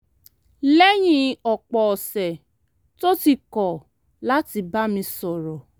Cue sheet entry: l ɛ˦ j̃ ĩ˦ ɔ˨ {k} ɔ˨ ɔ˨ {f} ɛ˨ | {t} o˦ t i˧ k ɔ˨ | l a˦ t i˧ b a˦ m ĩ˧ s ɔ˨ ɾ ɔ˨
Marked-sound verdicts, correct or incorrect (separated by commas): incorrect, incorrect, correct